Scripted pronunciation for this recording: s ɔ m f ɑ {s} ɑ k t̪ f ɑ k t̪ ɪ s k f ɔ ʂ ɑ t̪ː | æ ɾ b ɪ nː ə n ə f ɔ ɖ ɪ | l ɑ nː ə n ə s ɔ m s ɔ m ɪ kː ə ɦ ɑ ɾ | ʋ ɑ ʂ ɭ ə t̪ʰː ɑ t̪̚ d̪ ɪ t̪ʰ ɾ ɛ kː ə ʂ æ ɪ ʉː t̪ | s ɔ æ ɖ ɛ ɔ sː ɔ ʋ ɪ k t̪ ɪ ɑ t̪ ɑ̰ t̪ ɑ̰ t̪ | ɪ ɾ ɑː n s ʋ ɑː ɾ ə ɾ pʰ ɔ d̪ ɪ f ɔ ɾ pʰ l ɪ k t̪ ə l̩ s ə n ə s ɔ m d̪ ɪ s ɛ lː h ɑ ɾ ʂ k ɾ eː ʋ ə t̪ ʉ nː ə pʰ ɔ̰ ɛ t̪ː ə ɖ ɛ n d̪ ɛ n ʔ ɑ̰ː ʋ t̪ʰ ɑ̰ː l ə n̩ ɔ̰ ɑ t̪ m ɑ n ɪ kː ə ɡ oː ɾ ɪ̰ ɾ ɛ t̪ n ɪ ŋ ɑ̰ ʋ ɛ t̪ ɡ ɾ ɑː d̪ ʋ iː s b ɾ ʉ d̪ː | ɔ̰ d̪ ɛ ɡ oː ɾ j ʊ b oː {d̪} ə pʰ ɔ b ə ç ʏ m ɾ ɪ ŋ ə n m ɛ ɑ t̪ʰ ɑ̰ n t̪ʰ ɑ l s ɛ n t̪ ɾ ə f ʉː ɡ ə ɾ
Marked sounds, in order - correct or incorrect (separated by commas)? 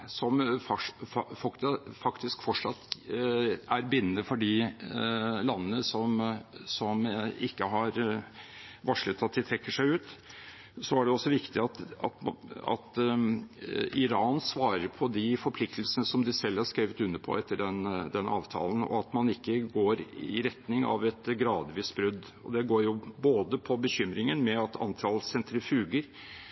incorrect, correct